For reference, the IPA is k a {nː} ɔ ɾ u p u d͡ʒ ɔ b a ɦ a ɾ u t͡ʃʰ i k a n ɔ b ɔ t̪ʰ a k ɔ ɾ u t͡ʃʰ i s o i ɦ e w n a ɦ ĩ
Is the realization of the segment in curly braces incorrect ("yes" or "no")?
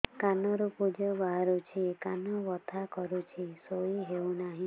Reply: yes